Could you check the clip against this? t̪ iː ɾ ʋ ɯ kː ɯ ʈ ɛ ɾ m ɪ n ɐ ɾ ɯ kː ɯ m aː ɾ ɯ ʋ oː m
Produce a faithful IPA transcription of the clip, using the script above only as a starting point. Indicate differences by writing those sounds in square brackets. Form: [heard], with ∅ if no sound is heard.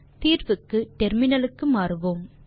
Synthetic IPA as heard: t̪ iː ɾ ʋ ɯ kː ɯ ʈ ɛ ɾ m ɪ n ɐ [l] ɯ kː ɯ m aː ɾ ɯ ʋ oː m